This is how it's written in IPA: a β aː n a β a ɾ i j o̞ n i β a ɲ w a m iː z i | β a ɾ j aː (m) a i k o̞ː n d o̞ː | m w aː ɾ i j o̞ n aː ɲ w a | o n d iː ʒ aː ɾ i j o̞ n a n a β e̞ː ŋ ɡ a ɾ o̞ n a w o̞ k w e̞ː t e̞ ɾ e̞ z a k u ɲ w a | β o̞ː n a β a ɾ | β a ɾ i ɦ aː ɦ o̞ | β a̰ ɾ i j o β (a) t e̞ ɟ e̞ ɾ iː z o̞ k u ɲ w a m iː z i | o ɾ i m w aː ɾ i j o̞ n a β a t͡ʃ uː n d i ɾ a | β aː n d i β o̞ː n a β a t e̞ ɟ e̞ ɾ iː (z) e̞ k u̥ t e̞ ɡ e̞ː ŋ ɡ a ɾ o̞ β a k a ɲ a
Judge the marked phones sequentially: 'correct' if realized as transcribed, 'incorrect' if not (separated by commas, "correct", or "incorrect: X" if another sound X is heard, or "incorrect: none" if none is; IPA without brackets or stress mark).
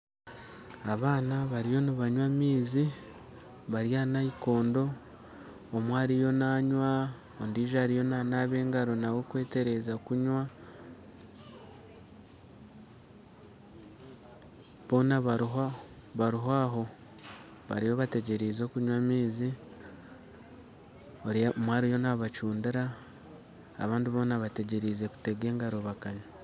incorrect: n, correct, correct